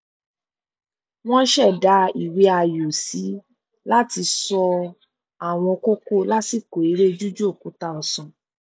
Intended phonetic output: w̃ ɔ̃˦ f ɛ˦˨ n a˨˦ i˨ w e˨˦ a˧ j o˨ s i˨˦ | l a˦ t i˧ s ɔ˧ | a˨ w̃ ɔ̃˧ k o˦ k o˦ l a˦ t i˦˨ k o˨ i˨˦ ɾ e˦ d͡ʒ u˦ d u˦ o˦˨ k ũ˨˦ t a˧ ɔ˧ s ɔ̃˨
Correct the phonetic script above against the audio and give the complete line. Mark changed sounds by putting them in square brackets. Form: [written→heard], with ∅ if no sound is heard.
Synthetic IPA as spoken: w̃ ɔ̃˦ [f→ʃ] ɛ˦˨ [n→d] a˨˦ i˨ w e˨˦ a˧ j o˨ s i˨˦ | l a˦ t i˧ s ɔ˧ | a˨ w̃ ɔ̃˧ k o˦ k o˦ l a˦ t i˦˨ k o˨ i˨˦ ɾ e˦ d͡ʒ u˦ [d→d͡ʒ] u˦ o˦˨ k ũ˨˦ t a˧ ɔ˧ s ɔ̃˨